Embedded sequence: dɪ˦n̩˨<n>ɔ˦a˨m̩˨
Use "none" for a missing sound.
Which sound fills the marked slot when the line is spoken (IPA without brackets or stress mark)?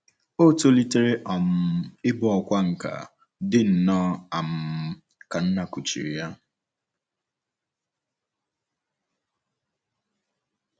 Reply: n